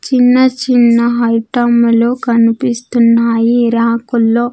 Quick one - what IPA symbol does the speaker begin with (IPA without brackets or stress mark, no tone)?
t͡ʃ